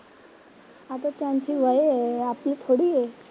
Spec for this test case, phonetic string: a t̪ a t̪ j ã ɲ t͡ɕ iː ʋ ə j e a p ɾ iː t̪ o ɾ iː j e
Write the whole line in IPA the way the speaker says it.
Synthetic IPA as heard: a t̪ a t̪ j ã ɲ t͡ɕ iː ʋ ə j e a p l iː t̪ʰ o ɽ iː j e